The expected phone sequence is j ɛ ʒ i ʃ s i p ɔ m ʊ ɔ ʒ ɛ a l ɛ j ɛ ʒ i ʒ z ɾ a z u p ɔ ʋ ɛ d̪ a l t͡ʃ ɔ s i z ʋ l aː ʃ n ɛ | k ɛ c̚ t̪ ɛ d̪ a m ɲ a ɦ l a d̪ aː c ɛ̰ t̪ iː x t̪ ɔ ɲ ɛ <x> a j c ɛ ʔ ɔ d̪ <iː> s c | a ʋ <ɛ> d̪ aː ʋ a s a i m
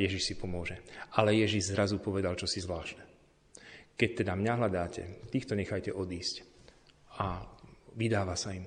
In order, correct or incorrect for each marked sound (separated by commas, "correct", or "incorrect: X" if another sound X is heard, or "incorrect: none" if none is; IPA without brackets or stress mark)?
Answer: correct, correct, incorrect: i